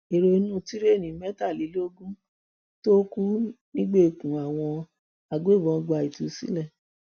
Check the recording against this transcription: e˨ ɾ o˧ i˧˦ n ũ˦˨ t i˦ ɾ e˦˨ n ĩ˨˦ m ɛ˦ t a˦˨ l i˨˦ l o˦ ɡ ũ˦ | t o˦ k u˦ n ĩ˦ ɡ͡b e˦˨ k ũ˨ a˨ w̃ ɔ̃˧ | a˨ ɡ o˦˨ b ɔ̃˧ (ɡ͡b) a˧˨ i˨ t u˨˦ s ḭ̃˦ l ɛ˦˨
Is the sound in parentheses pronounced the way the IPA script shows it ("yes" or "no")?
yes